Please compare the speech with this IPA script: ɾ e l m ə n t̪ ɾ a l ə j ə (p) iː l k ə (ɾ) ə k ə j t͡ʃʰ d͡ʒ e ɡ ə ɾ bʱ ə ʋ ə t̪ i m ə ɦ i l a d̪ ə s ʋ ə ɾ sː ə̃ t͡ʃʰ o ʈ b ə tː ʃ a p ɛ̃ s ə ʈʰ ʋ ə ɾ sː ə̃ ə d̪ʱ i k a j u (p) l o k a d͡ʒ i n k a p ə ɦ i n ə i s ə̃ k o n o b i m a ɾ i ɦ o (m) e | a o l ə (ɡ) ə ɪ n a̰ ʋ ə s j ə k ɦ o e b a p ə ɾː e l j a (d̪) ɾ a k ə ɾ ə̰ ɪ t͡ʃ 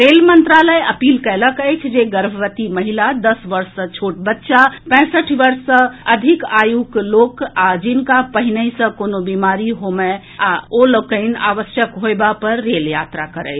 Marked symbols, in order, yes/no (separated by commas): yes, no, no, yes, no, no